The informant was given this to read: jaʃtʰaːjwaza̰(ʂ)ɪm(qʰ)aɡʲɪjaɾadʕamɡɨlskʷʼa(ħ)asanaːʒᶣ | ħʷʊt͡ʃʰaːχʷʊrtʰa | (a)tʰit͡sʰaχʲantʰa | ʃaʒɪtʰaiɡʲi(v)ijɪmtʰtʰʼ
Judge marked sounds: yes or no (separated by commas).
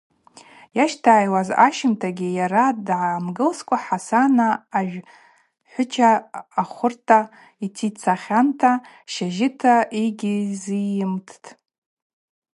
no, no, yes, no, no